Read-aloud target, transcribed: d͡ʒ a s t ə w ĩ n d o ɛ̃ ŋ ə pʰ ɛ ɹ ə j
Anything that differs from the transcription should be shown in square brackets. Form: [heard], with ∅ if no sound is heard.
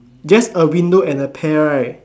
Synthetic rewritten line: d͡ʒ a s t ə w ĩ n d o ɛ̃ [n] ə pʰ ɛ ɹ [a] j